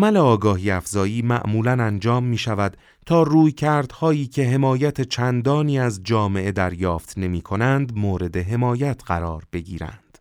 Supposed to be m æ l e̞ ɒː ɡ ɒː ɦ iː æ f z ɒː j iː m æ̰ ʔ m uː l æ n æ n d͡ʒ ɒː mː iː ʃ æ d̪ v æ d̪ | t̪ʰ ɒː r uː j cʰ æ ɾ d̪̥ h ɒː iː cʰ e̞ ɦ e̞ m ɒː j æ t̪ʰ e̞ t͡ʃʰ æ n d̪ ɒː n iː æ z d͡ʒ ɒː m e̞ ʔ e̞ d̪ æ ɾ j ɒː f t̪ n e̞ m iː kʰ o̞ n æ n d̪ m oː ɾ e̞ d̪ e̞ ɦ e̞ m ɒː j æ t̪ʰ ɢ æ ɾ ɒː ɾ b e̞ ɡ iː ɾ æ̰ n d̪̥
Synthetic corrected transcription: m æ l e̞ ɒː ɡ ɒː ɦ iː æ f z ɒː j iː m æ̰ ʔ m uː l æ n æ n d͡ʒ ɒː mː iː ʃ æ v æ d̪ | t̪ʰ ɒː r uː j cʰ æ ɾ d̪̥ h ɒː iː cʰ e̞ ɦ e̞ m ɒː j æ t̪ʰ e̞ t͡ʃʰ æ n d̪ ɒː n iː æ z d͡ʒ ɒː m e̞ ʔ e̞ d̪ æ ɾ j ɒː f t̪ n e̞ m iː kʰ o̞ n æ n d̪ m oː ɾ e̞ d̪ e̞ ɦ e̞ m ɒː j æ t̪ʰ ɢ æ ɾ ɒː ɾ b e̞ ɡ iː ɾ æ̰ n d̪̥